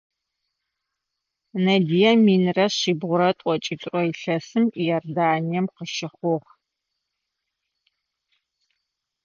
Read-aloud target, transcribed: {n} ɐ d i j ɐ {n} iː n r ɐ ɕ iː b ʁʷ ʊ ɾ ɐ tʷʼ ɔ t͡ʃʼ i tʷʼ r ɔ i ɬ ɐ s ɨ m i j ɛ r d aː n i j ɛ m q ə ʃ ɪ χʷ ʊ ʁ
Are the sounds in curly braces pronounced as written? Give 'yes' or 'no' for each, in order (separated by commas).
yes, no